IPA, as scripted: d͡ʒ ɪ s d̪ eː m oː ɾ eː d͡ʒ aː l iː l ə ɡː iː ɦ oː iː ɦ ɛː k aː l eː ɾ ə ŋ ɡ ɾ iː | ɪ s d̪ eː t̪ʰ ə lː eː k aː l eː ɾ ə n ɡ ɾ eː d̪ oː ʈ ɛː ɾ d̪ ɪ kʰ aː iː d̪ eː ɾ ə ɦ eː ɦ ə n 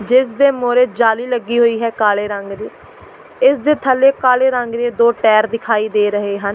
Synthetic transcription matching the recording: d͡ʒ ɪ s d̪ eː m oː ɾ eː d͡ʒ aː l iː l ə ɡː iː ɦ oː iː ɦ ɛː k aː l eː ɾ ə ŋ ɡ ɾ iː | ɪ s d̪ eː t̪ʰ ə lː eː k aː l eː ɾ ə ŋ ɡ ɾ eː d̪ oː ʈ ɛː ɾ d̪ ɪ kʰ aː iː d̪ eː ɾ ə ɦ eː ɦ ə n